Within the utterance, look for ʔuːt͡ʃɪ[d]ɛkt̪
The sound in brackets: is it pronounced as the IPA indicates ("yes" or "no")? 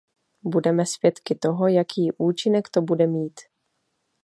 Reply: no